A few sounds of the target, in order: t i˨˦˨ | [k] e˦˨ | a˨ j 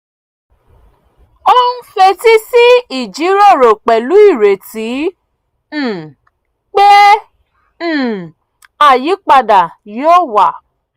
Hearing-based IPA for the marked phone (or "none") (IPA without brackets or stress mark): k͡p